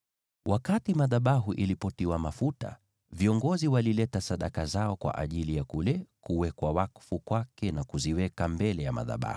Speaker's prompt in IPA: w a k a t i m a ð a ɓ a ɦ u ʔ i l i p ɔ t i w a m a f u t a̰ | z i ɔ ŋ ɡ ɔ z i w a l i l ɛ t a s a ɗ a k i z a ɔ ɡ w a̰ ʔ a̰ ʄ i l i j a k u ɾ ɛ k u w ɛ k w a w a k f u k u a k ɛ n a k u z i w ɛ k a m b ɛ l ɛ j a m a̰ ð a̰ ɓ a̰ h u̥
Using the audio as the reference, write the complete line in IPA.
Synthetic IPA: w a k a t i m a ð a ɓ a ɦ u ʔ i l i p ɔ t i w a m a f u t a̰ | v i ɔ ŋ ɡ ɔ z i w a l i l ɛ t a s a ɗ a k a z a ɔ k w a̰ ʔ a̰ ʄ i l i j a k u l ɛ k u w ɛ k w a w a k f u k w a k ɛ n a k u z i w ɛ k a m b ɛ l ɛ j a m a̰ ð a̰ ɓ a̰ h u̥